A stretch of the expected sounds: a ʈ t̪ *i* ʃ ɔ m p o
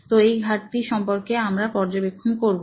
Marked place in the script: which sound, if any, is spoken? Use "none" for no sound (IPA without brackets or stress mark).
i